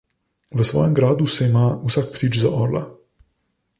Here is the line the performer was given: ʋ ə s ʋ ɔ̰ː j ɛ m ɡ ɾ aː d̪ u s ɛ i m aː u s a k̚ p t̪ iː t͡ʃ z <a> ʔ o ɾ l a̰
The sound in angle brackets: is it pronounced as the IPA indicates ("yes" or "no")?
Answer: yes